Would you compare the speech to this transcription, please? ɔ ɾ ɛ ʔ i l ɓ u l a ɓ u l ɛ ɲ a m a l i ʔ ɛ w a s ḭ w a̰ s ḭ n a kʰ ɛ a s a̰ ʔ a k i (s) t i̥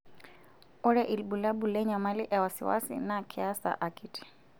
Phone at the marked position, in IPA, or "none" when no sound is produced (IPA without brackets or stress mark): none